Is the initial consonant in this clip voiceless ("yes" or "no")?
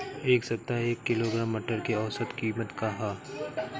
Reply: yes